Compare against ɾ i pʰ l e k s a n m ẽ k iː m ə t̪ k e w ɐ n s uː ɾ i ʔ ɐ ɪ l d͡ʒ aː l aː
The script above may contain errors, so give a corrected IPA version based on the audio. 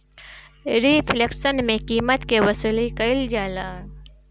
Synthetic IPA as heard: ɾ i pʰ l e k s ə n m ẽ k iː m ə t̪ k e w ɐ s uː l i k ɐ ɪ l d͡ʒ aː l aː

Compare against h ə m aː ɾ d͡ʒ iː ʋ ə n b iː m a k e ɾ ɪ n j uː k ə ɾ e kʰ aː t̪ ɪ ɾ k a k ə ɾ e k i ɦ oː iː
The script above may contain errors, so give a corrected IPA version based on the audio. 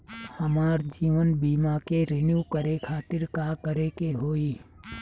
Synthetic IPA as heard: h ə m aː ɾ d͡ʒ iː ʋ ə n b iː m a k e ɾ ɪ n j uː k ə ɾ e kʰ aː t̪ ɪ ɾ k a k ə ɾ e k e ɦ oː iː

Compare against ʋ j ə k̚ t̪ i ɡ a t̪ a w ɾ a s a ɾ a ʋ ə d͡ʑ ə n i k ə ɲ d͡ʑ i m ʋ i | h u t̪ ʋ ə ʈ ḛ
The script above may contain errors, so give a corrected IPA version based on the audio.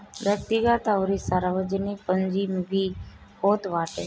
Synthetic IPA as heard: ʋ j ə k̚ t̪ i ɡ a t̪ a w ɾ i s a ɾ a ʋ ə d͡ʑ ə n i p ə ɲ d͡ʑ i m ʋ i | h o t̪ ʋ a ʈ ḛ

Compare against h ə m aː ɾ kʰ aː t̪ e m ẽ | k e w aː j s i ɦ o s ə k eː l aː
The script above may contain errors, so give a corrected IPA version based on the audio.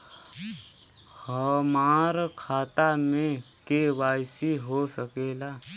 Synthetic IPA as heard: h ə m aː ɾ kʰ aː t̪ a m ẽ | k e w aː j s i ɦ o s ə k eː l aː

